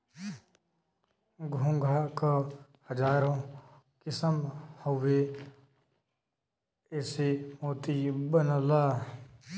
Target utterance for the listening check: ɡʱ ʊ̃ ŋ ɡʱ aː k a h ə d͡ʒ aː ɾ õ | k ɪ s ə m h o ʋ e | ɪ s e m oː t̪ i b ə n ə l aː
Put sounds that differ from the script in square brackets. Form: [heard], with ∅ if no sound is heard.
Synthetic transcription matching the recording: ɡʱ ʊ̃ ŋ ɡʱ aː k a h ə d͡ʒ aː ɾ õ | k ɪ s ə m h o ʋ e | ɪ s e m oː t̪ i b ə n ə l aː

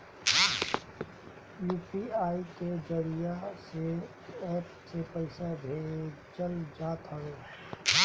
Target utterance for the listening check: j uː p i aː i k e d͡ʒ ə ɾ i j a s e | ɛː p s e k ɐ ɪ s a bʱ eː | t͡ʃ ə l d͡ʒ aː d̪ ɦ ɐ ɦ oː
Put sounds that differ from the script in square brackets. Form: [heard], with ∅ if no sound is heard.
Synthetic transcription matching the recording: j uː p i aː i k e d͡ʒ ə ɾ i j a s e | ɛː p s e [p] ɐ ɪ s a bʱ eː | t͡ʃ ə l d͡ʒ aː [t̪] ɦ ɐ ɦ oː

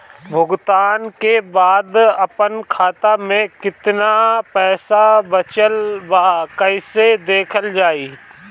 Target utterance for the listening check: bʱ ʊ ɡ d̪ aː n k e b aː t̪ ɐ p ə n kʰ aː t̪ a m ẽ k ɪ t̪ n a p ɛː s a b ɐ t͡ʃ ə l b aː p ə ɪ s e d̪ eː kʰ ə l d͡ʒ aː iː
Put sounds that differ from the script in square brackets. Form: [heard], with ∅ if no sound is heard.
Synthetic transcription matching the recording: bʱ ʊ ɡ [t̪] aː n k e b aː [d̪] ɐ p ə n kʰ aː t̪ a m ẽ k ɪ t̪ n a p ɛː s a b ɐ t͡ʃ ə l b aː [k] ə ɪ s e d̪ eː kʰ ə l d͡ʒ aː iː

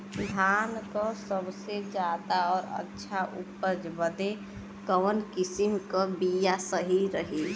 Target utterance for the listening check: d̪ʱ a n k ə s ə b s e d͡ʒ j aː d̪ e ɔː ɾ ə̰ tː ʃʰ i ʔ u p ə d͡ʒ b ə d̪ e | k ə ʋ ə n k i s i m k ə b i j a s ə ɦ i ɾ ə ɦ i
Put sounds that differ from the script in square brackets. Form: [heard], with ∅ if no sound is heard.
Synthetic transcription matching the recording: d̪ʱ a n k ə s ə b s e d͡ʒ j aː d̪ [a] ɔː ɾ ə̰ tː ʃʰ [a] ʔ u p ə d͡ʒ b ə d̪ e | k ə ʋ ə n k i s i m k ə b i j a s ə ɦ i ɾ ə ɦ i

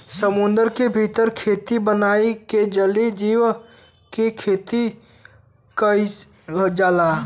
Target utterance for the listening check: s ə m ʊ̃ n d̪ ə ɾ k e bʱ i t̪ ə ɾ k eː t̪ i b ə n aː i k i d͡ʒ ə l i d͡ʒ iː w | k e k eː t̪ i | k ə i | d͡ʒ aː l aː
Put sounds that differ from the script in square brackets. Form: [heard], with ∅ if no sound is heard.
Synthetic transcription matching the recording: s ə m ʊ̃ n d̪ ə ɾ k e bʱ i t̪ ə ɾ [kʰ] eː t̪ i b ə n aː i k [e] d͡ʒ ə l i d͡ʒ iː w | k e [kʰ] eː t̪ i | k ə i | d͡ʒ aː l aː

